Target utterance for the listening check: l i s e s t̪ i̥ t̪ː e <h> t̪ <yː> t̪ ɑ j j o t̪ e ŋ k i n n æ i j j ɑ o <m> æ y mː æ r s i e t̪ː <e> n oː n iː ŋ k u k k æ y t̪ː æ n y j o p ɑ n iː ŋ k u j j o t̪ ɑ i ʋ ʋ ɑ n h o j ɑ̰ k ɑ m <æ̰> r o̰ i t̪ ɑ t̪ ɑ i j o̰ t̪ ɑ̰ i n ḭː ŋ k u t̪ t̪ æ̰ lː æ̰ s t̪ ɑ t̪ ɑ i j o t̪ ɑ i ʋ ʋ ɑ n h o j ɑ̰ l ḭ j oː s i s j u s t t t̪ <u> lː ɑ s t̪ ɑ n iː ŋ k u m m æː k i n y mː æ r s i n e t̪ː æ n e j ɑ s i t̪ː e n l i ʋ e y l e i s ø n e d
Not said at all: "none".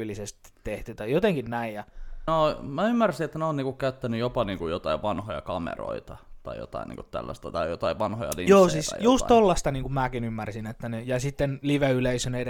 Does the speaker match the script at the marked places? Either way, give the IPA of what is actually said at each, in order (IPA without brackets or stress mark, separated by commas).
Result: h, y, m, æ, ḛ, o